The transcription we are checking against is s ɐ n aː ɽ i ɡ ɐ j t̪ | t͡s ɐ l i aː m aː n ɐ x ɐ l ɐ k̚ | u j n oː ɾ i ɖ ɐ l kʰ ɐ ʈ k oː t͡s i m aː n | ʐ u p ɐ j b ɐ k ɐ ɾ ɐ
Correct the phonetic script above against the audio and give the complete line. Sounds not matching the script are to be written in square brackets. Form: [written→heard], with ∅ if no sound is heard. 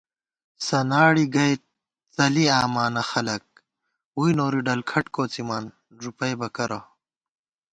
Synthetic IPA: s ɐ n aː ɽ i ɡ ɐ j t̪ | t͡s ɐ l i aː m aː n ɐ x ɐ l ɐ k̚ | u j n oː ɾ i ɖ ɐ l kʰ ɐ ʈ k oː t͡s i m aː n | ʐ u p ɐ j b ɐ k ɐ ɾ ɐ